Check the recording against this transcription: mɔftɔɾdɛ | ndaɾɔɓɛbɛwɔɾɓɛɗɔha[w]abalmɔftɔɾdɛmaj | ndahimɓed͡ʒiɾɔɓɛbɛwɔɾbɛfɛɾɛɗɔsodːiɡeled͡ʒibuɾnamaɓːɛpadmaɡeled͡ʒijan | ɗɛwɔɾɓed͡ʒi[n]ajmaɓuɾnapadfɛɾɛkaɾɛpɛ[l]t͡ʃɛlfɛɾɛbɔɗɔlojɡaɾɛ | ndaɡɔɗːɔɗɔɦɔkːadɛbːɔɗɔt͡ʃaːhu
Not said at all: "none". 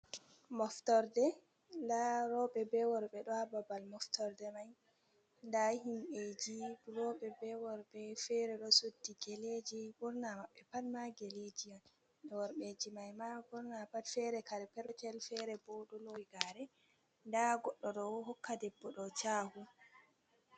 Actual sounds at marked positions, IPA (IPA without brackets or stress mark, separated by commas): b, m, ɾ